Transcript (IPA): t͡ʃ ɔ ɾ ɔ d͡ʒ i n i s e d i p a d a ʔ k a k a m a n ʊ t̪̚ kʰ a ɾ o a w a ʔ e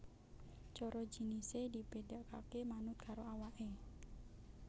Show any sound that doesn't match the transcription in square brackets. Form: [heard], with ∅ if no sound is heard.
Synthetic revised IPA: t͡ʃ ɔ ɾ ɔ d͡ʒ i n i s e d i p [e] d a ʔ k a k [e] m a n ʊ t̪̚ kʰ a ɾ o a w a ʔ e